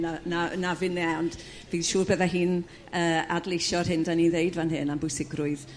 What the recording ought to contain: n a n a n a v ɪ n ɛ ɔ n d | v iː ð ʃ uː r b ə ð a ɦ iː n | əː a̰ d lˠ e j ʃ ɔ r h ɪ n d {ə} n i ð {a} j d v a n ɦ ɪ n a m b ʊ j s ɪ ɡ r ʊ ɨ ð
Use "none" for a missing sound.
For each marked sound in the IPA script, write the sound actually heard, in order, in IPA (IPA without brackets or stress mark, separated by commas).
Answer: a, e